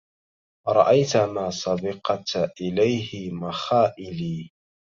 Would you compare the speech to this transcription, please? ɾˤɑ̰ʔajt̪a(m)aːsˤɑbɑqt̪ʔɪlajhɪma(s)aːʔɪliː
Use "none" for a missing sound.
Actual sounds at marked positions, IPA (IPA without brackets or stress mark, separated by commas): m, x